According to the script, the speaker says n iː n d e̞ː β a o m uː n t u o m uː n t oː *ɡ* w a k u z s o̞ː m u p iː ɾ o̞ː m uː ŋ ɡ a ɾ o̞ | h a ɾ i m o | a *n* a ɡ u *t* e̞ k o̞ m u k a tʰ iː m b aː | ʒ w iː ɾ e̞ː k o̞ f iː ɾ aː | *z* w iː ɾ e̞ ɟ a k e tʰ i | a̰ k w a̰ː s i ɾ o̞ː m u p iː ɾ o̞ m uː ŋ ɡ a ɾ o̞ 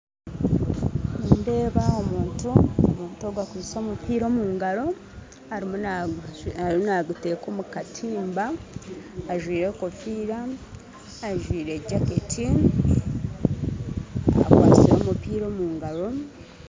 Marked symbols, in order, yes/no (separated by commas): yes, yes, yes, no